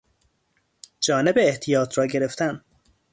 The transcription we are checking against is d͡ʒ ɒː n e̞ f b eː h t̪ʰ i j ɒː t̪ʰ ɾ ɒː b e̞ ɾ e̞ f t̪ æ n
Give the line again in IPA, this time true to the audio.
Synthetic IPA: d͡ʒ ɒː n e̞ b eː h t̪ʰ i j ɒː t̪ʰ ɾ ɒː ɟ e̞ ɾ e̞ f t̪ æ n